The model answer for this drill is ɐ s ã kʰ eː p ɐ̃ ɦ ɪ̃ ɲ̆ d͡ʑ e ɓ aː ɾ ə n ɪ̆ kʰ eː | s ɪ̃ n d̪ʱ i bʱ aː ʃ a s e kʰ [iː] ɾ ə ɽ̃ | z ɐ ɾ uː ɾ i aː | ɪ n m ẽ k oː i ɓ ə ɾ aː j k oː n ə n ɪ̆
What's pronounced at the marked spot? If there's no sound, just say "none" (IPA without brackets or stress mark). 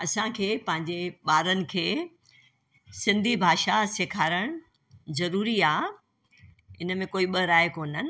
aː